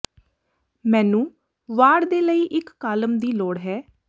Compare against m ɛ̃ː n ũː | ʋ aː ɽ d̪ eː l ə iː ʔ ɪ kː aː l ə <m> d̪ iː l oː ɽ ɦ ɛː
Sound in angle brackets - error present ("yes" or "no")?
no